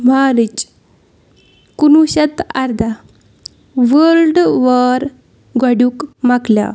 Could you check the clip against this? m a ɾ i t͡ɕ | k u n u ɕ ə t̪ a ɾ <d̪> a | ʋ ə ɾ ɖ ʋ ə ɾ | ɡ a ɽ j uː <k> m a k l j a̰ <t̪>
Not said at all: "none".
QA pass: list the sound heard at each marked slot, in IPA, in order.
d̪, k, none

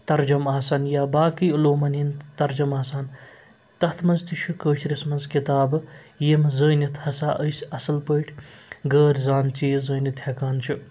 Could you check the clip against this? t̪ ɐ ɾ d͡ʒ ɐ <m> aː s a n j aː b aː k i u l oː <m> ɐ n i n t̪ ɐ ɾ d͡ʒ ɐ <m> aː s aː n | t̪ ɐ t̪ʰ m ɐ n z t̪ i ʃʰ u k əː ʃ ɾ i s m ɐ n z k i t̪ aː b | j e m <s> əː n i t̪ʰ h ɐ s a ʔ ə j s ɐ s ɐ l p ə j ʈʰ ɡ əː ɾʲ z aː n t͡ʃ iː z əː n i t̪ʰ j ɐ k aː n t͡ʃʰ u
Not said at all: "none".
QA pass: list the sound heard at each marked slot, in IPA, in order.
m, m, m, z

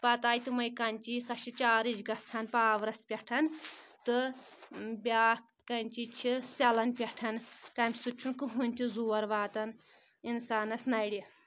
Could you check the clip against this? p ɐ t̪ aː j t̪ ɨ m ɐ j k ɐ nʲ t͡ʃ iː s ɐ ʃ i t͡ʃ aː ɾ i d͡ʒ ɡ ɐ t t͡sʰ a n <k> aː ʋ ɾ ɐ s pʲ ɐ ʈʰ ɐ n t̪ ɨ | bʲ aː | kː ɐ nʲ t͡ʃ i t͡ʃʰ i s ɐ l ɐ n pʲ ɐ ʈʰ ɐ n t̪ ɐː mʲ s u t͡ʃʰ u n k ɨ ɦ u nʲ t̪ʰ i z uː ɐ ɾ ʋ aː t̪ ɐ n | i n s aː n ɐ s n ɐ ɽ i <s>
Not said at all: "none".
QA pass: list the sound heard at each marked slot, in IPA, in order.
p, none

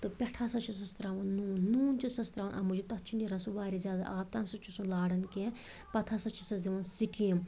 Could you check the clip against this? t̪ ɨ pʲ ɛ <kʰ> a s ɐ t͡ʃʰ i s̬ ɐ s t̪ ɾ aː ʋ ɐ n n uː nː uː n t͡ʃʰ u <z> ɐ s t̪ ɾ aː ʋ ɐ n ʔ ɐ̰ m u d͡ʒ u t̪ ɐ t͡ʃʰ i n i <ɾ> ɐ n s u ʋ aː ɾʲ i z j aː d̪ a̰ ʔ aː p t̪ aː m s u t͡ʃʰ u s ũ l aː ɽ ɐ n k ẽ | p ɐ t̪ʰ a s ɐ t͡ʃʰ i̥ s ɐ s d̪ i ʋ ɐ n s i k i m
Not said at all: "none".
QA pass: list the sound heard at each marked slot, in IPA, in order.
ʈʰ, s, ɾ

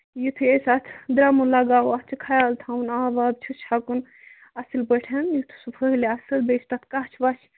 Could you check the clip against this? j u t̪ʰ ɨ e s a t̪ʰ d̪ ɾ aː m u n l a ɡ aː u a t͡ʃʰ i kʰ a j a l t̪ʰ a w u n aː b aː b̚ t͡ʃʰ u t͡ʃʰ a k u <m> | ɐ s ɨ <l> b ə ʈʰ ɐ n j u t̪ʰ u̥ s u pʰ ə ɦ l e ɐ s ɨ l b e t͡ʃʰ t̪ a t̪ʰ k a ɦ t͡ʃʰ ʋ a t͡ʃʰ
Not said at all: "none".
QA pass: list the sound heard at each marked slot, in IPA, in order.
n, l

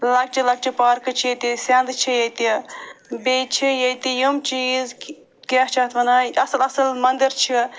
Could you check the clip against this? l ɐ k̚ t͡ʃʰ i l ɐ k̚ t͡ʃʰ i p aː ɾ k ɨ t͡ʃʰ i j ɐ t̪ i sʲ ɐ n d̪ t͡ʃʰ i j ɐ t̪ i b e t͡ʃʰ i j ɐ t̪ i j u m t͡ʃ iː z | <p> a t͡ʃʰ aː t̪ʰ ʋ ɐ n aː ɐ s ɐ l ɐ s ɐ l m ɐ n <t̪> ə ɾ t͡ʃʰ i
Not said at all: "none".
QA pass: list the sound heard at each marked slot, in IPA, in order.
k, d̪

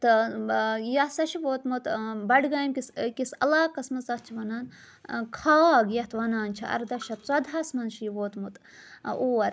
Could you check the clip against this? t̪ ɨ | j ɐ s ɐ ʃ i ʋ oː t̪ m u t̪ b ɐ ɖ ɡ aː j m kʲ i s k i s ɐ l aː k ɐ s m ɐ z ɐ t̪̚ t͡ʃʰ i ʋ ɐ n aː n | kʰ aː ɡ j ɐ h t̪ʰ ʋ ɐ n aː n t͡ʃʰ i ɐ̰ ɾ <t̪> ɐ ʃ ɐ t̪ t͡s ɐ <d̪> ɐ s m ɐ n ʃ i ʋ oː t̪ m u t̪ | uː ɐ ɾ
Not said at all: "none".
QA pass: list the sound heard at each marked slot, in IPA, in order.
d̪, d̪

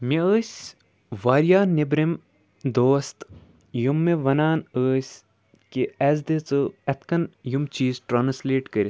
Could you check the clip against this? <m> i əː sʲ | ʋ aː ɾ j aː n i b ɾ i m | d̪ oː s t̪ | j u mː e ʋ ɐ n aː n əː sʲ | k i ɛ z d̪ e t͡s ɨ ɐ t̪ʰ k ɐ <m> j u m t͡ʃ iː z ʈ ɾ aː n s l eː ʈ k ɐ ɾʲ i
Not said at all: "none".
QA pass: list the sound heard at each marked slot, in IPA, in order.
m, n

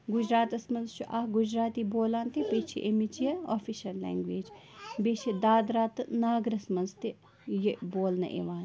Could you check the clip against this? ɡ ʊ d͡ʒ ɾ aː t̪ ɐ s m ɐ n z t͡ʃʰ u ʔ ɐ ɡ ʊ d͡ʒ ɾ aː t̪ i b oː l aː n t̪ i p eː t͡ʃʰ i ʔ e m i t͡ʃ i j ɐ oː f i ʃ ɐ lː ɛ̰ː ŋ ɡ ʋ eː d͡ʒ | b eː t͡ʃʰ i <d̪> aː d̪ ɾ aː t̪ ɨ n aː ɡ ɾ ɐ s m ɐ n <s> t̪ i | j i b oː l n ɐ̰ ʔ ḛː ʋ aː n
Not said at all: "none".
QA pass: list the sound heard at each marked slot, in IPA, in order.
d̪, z

